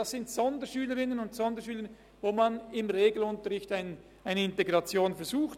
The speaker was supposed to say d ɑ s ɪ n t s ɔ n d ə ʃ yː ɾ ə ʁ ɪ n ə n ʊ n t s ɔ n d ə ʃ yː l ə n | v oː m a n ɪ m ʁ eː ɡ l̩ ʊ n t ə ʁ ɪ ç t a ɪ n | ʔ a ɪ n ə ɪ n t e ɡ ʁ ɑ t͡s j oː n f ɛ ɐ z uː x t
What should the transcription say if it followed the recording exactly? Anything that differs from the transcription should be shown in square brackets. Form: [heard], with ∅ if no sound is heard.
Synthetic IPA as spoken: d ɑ s ɪ n t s ɔ n d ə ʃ yː [l] ə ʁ ɪ n ə n ʊ n t s ɔ n d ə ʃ yː l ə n | v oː m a n ɪ m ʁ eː ɡ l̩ ʊ n t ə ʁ ɪ ç t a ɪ n | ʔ a ɪ n ə ɪ n t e ɡ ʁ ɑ t͡s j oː n f ɛ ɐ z uː x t

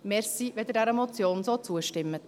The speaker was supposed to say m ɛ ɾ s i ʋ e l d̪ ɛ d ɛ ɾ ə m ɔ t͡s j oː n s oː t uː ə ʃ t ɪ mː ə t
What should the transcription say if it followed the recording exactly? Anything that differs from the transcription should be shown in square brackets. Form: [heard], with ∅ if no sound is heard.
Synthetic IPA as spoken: m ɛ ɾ s i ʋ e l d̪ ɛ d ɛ ɾ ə m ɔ t͡s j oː n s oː [t͡s] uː ə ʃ t ɪ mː ə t

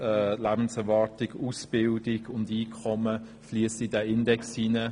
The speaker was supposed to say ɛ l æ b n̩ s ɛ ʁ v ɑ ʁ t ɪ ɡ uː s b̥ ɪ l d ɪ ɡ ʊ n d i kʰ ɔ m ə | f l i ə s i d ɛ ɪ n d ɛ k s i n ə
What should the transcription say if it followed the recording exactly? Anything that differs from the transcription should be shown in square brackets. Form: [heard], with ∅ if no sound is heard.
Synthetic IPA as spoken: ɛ l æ b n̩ s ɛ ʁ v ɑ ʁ t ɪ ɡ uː s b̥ ɪ l d ɪ ɡ ʊ n d [iː] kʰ ɔ m ə | f l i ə s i d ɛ ɪ n d ɛ k s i n ə

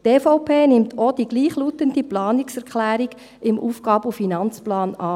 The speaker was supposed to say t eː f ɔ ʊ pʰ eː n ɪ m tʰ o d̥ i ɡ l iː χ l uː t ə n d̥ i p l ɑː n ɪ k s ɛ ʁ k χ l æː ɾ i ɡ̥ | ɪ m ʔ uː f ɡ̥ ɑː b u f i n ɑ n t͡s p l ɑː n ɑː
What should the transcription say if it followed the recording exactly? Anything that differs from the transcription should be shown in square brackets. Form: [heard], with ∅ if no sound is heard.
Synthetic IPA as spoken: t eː f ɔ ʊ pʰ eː n ɪ m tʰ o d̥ i ɡ l iː χ l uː t ə n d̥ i p l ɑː n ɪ k s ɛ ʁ k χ l æː ɾ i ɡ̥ | ɪ m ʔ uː f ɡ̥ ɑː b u f i n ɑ n t͡s p l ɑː n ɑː

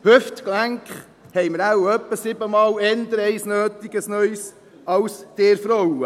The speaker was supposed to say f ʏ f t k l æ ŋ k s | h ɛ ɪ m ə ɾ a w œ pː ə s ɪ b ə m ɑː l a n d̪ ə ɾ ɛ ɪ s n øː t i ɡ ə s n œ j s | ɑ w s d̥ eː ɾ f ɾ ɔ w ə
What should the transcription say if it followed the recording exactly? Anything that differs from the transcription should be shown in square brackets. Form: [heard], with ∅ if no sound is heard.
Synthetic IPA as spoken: [h] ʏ f t k l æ ŋ k [χ] | h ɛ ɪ m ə ɾ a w œ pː ə s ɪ b ə m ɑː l [ɛ] n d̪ ə ɾ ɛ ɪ s n øː t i ɡ ə s n œ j s | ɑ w s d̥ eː ɾ f ɾ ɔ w ə

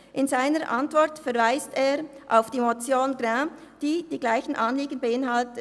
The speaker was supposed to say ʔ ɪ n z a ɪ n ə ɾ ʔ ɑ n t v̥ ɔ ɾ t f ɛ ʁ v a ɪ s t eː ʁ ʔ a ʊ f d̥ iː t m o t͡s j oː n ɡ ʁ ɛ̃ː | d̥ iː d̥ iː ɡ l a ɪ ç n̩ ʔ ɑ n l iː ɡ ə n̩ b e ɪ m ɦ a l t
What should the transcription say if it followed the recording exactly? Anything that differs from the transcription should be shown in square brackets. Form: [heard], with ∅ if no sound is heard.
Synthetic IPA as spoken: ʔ ɪ n z a ɪ n ə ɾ ʔ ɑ n t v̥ ɔ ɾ t f ɛ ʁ v a ɪ s t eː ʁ ʔ a ʊ f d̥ iː [∅] m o t͡s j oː n ɡ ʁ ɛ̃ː | d̥ iː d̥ iː ɡ l a ɪ ç n̩ ʔ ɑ n l iː ɡ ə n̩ b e ɪ [n] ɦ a l t

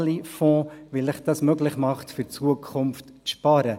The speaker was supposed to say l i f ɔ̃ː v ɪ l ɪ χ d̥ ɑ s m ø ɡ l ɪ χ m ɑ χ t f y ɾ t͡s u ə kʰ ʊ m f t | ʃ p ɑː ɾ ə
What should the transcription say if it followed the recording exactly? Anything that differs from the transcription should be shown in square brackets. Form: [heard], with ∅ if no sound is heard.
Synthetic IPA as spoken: l i f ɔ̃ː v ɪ l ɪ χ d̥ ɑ s m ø ɡ l ɪ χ m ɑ χ t f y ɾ t͡s u ə kʰ ʊ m f t | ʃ p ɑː ɾ ə

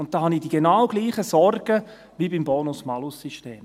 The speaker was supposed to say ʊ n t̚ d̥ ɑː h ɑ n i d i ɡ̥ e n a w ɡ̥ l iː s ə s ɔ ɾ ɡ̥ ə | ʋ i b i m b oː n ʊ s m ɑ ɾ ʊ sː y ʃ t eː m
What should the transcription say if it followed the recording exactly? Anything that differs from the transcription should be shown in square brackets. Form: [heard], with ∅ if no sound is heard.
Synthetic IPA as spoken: ʊ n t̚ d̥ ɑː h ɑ n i d i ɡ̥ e n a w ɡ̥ l iː [χ] ə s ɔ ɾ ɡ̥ ə | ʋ i b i m b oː n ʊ s m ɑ [l] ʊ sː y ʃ t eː m

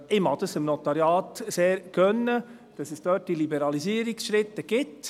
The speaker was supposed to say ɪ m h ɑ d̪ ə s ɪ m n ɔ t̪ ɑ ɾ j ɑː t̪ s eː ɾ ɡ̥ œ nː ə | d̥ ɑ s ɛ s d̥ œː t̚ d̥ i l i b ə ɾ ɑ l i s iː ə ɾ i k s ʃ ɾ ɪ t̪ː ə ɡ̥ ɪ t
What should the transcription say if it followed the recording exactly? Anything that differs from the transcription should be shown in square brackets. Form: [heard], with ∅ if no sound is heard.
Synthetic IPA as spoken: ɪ m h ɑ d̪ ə s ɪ m n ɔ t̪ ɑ ɾ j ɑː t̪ s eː ɾ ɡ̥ œ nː ə | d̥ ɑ s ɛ s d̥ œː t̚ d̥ i l i b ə ɾ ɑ l i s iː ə ɾ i k s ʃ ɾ ɪ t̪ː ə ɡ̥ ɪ t

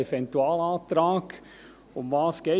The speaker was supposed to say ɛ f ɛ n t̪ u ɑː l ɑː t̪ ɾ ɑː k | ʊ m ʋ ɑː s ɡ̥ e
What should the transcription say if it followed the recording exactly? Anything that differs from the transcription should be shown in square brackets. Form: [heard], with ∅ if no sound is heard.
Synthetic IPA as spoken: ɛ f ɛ n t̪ u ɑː l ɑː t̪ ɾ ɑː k | ʊ m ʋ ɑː s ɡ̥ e

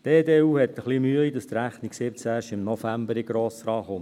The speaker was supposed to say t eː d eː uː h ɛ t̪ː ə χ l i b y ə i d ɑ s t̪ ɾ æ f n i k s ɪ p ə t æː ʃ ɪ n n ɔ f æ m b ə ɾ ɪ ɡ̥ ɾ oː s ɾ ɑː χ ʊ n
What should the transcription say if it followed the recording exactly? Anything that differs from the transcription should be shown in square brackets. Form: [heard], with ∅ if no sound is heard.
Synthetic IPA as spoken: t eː d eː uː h ɛ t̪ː ə χ l i [m] y ə i d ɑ s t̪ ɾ æ [χ] n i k s ɪ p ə [t͡s] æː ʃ ɪ [m] n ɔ f æ m b ə ɾ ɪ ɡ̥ ɾ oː s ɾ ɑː χ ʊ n

